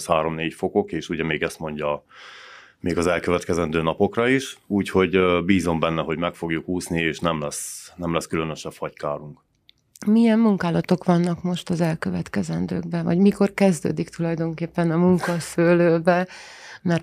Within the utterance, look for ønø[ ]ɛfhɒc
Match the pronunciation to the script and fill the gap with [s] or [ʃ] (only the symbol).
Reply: ʃ